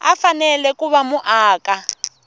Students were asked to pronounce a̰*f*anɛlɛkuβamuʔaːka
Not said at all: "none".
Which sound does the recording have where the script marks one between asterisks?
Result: f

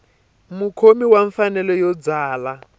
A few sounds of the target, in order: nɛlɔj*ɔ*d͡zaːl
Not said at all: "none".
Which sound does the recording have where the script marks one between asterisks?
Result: ɔ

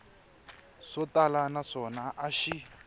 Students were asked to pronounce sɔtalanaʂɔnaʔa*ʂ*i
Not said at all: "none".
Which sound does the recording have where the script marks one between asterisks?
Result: ʃ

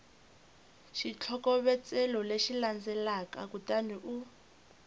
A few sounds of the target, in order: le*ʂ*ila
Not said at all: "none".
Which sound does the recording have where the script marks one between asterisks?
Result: ʃ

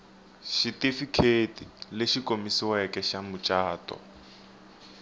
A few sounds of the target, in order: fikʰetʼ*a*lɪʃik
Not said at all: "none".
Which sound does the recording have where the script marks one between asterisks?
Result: i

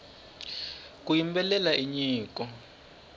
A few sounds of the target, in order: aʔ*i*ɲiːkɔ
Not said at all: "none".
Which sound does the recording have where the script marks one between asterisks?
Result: i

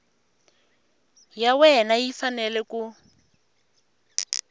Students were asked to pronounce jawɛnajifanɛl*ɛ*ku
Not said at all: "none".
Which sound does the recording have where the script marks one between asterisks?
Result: ɛ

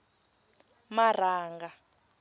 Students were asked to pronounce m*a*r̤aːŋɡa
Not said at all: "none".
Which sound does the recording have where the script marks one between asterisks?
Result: a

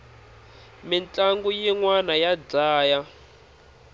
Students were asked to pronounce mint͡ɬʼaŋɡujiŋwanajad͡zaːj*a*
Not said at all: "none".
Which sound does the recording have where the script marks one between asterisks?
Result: a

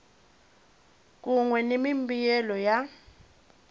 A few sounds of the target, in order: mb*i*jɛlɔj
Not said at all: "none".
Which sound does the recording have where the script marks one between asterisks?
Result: i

